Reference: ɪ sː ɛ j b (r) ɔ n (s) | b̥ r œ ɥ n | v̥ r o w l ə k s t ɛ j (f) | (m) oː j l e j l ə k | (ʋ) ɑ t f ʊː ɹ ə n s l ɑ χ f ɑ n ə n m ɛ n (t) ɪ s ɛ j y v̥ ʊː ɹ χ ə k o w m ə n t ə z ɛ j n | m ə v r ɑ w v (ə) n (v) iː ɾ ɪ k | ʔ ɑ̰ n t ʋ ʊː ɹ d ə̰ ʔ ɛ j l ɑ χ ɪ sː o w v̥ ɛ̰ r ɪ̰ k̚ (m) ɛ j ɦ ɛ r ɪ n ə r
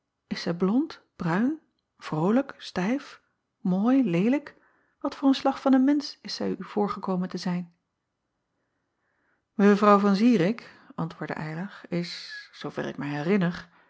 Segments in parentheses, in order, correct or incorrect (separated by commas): incorrect, incorrect, correct, correct, correct, incorrect, incorrect, incorrect, correct